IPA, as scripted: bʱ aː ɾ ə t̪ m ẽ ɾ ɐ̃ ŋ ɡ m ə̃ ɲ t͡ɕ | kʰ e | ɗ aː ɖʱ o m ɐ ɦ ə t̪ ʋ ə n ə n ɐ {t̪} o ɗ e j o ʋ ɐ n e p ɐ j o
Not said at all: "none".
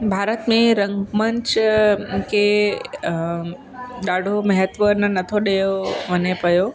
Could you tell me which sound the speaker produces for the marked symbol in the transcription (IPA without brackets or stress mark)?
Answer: t̪ʰ